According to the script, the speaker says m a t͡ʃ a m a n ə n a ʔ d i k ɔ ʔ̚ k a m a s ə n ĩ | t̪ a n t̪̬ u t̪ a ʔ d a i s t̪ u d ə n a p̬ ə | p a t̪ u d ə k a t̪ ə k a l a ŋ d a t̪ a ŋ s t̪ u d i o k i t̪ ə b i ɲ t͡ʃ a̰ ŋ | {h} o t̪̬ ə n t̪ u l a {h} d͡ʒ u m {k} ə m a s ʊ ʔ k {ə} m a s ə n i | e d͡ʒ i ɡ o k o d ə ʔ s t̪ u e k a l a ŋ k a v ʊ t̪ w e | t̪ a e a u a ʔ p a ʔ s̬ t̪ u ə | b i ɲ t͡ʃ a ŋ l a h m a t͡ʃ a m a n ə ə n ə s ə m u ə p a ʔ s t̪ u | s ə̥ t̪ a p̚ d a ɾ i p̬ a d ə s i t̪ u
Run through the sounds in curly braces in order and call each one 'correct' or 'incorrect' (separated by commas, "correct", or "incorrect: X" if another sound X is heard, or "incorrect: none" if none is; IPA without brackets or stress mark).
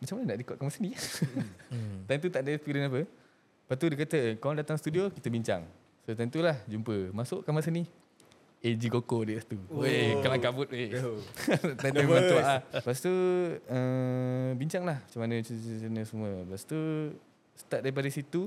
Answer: incorrect: s, correct, incorrect: p, incorrect: a